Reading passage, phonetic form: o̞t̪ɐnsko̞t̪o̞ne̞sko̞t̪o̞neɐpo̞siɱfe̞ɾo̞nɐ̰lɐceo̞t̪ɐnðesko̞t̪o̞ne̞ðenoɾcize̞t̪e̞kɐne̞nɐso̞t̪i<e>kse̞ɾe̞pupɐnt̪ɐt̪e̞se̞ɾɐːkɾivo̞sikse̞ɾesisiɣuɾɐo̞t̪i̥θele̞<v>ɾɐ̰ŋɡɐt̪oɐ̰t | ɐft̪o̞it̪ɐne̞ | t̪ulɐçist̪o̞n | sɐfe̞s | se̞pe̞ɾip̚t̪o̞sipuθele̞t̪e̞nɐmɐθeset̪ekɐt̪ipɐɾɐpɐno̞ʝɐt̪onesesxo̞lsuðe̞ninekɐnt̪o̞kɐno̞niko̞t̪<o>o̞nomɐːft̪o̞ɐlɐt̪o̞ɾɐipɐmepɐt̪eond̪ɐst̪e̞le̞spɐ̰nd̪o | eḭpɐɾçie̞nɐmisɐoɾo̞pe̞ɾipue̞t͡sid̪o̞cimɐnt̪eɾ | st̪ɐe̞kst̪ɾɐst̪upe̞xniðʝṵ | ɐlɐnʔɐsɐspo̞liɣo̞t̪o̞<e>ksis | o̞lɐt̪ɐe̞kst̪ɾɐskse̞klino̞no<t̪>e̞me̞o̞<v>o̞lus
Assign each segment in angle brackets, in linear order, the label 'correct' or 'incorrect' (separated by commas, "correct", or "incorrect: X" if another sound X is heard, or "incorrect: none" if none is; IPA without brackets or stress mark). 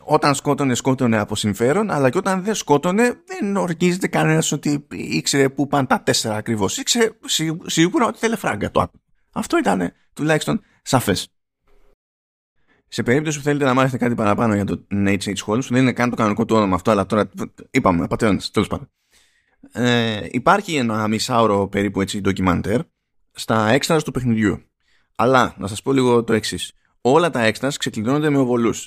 incorrect: i, incorrect: f, incorrect: u, correct, incorrect: d̪, correct